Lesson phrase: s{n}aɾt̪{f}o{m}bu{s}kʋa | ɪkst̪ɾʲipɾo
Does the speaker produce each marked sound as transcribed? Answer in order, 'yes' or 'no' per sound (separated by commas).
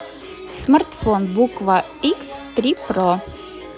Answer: no, yes, no, no